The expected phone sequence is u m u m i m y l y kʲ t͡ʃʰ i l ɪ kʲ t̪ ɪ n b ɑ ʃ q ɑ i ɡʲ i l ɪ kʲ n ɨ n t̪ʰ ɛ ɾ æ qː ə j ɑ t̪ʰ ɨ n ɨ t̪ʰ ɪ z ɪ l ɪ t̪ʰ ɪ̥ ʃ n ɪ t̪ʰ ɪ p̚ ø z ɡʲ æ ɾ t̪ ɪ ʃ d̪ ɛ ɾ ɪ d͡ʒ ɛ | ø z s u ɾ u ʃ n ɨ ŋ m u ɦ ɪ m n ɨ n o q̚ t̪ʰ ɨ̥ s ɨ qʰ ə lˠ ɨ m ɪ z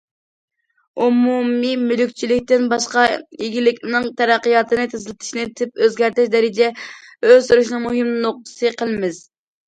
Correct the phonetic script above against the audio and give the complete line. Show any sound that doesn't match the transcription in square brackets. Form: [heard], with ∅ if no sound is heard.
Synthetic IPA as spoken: u m u m i m y l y kʲ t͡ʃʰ i l ɪ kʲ t̪ ɪ n b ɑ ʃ q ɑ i ɡʲ i l ɪ kʲ n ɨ [ŋ] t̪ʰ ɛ ɾ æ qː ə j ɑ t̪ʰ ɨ n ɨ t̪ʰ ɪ z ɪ l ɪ t̪ʰ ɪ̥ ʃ n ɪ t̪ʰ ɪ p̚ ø z ɡʲ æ ɾ t̪ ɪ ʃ d̪ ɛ ɾ ɪ d͡ʒ ɛ | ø z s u ɾ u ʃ n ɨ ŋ m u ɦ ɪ m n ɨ n o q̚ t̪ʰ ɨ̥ s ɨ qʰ ə lˠ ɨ m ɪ z